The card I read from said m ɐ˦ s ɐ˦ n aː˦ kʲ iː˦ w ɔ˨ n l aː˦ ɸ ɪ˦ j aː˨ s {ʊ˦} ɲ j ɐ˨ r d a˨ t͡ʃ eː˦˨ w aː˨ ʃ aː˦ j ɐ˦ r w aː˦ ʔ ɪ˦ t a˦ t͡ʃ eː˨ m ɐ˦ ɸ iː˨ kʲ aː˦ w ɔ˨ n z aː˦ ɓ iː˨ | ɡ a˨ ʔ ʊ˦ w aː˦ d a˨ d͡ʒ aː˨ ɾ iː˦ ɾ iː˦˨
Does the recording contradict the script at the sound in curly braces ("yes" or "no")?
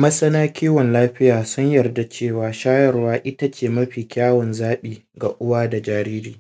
no